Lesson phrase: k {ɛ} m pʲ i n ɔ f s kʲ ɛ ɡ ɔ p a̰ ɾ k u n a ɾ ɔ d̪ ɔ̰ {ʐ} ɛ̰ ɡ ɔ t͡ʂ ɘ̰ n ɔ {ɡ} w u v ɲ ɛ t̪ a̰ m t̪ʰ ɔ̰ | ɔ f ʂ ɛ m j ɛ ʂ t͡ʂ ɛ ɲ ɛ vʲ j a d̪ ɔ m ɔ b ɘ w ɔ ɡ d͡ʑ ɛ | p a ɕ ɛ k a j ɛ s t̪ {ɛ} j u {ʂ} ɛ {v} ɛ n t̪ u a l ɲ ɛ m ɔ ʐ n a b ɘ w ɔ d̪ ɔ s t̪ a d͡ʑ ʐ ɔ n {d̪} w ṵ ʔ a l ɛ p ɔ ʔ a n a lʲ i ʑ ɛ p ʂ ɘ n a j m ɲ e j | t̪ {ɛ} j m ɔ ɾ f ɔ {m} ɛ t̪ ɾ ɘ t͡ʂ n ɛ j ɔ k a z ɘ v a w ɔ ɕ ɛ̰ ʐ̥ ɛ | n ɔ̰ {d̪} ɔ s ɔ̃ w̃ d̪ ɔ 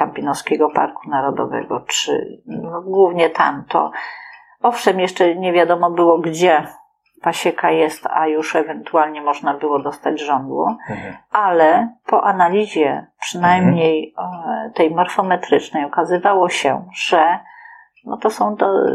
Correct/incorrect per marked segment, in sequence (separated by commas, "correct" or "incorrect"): incorrect, incorrect, correct, incorrect, correct, correct, correct, correct, correct, incorrect